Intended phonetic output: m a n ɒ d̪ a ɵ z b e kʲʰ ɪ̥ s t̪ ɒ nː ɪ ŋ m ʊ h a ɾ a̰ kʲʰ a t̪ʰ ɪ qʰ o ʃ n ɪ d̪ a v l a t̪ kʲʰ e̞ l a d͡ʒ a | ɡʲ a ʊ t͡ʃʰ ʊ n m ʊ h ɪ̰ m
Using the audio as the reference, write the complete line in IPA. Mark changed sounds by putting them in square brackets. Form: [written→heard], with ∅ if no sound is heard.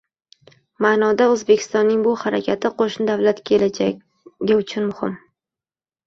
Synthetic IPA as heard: m a n ɒ d̪ a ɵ z b e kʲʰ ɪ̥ s t̪ ɒ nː ɪ ŋ [m→b] ʊ h a ɾ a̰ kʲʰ a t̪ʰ ɪ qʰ o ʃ n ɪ d̪ a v l a t̪ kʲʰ e̞ l a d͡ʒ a | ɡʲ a ʊ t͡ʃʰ ʊ n m ʊ h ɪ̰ m